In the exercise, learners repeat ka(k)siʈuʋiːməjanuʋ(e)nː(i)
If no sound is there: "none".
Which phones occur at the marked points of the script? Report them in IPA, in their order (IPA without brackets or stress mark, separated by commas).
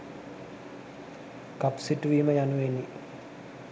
p, e, i